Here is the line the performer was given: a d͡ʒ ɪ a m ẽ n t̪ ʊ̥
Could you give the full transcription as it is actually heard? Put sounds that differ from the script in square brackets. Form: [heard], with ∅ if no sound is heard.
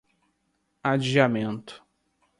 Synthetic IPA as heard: a d͡ʒ [i] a m ẽ n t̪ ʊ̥